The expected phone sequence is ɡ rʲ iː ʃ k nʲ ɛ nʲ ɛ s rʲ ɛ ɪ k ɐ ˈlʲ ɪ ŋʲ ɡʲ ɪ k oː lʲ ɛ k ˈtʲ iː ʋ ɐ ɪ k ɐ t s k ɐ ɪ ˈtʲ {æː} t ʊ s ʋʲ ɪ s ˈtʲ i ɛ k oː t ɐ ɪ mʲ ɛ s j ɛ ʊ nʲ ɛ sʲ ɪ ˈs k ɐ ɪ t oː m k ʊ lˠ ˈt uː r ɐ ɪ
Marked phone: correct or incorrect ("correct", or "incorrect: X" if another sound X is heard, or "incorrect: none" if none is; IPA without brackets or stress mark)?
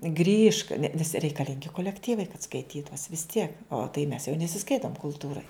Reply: incorrect: iː